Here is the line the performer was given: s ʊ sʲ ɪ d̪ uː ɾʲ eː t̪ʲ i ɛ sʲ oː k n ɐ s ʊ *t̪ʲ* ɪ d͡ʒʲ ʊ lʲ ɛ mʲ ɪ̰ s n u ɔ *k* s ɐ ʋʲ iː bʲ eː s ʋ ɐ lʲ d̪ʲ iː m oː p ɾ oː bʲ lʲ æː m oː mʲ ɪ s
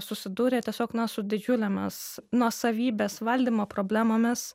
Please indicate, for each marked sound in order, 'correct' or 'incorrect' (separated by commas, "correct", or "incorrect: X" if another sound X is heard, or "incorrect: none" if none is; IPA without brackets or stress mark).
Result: incorrect: d̪ʲ, incorrect: none